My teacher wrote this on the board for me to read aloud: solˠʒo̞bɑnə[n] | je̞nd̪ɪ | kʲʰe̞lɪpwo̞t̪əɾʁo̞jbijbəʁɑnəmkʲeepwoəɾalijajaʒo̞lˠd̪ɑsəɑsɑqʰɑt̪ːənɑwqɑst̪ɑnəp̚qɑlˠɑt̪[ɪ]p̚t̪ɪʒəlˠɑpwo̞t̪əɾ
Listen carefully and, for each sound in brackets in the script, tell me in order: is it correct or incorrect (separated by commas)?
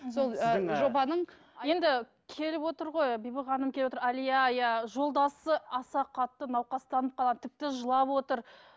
incorrect, correct